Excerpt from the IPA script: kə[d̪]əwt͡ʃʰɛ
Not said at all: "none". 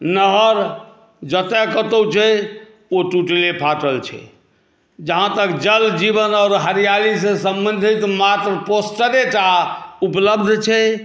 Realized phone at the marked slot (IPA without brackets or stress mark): t̪